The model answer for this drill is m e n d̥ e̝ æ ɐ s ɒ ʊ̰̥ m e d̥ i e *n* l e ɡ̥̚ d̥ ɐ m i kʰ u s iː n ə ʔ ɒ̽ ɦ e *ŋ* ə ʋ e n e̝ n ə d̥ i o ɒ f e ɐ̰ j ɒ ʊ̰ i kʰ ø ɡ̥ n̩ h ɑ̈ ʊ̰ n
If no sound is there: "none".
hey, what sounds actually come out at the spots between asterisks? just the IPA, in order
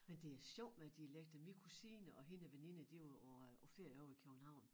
none, n

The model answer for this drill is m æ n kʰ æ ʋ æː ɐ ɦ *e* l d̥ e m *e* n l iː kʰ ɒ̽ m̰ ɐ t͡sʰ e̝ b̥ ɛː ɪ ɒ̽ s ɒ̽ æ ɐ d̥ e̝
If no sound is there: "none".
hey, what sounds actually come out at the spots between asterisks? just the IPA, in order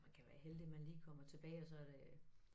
e, æ

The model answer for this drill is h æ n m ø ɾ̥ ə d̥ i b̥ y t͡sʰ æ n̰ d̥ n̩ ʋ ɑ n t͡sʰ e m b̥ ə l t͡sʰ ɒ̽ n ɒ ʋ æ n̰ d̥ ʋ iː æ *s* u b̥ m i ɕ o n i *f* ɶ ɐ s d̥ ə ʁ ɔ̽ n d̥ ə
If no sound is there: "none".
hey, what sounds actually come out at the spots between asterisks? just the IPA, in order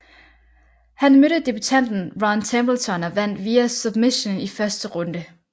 s, f

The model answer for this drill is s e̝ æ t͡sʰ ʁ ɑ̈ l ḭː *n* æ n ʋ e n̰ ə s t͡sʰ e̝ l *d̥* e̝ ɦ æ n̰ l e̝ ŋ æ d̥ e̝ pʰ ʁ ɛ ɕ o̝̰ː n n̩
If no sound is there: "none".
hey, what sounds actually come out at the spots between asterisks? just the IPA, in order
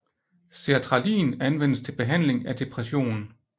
n, b̥

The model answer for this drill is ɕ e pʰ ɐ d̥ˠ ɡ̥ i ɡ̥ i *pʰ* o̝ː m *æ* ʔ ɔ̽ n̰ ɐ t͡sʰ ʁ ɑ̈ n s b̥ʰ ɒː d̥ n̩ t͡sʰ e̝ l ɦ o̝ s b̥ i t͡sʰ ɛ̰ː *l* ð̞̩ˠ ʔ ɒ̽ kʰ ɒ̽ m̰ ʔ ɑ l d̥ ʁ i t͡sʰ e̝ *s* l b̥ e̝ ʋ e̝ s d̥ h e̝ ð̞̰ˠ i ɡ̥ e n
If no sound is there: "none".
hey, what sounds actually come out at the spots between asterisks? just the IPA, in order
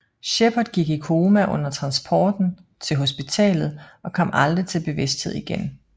kʰ, æ, l, none

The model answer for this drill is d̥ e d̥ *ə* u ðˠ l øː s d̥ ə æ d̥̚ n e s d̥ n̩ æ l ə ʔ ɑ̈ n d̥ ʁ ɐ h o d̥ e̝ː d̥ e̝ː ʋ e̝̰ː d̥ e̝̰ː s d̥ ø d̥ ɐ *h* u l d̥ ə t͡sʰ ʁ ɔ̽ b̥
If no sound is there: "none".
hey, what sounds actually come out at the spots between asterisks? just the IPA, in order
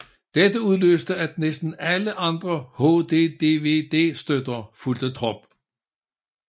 ə, f

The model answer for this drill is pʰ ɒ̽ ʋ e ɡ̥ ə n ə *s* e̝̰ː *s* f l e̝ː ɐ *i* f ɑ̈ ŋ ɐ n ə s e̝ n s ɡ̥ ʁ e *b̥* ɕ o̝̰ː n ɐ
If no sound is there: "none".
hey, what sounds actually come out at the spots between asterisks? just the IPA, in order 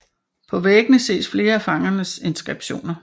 s, s, æ, b̥

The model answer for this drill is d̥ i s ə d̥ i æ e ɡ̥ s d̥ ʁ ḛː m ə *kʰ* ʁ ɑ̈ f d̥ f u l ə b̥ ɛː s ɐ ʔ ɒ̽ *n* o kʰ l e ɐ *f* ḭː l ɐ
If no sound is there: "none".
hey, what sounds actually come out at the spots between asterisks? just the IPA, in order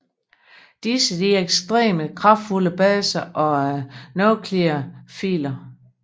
kʰ, n, f

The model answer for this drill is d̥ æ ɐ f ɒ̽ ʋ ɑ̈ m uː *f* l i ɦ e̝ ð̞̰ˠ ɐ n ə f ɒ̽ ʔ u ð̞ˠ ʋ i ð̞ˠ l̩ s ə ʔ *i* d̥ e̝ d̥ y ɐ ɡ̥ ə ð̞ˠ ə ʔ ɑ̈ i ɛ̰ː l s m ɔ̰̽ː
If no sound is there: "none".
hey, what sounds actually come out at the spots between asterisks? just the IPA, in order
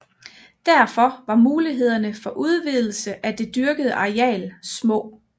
none, æ

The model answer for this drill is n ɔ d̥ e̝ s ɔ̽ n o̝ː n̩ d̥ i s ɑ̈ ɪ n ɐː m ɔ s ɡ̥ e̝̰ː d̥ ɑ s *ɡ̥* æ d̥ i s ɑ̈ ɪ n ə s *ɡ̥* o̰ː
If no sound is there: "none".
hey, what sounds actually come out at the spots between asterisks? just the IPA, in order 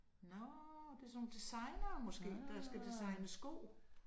ɡ̥, ɡ̥

